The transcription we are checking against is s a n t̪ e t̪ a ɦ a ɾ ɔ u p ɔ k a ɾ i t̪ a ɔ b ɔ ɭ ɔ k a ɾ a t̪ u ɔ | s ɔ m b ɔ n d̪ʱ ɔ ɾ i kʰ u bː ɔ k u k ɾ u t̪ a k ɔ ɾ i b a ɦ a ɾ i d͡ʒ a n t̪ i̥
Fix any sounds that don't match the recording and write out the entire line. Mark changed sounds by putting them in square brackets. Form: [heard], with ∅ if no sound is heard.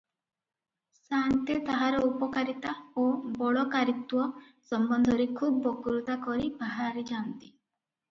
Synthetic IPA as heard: s a n t̪ e t̪ a ɦ a ɾ ɔ u p ɔ k a ɾ i t̪ a [o] b ɔ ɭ ɔ k a ɾ [i] t̪ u ɔ | s ɔ m b ɔ n d̪ʱ ɔ ɾ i kʰ u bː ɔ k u [∅] ɾ u t̪ a k ɔ ɾ i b a ɦ a ɾ i d͡ʒ a n t̪ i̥